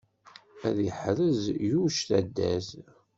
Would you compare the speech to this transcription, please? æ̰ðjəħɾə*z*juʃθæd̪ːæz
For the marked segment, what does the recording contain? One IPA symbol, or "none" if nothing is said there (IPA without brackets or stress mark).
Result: z